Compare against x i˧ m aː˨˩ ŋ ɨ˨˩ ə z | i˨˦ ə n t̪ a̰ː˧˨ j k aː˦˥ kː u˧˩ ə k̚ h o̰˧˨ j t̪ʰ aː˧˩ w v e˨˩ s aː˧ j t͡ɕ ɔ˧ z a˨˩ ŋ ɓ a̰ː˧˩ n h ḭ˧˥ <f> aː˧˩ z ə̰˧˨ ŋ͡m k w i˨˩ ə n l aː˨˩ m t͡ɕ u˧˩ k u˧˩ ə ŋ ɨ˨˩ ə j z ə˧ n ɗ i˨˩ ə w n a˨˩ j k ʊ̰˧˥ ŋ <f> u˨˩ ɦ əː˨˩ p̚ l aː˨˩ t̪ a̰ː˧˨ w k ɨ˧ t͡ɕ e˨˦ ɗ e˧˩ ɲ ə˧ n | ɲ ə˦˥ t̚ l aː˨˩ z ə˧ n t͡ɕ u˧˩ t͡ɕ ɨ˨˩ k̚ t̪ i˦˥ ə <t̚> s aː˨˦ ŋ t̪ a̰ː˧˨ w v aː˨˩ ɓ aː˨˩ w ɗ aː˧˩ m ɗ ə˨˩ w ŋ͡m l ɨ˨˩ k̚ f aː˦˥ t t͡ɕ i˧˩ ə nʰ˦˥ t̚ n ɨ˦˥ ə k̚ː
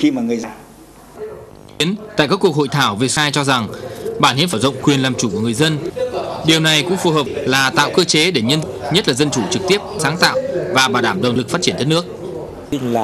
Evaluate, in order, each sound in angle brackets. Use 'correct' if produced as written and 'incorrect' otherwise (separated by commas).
correct, correct, incorrect